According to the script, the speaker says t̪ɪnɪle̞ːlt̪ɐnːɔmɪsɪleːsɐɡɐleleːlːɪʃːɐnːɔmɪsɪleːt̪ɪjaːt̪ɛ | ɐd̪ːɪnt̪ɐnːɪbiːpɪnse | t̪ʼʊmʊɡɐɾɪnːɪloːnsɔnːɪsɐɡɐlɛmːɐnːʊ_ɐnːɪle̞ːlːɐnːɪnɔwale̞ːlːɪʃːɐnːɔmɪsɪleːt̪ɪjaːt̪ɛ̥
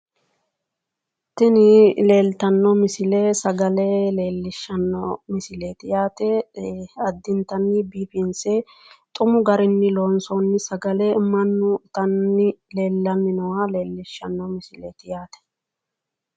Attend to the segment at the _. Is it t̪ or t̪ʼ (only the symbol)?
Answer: t̪